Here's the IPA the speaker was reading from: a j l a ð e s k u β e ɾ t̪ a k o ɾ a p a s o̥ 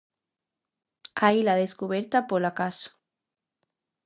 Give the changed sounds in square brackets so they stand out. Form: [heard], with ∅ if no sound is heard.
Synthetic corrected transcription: a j l a ð e s k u β e ɾ t̪ a [p] o [l] a [k] a s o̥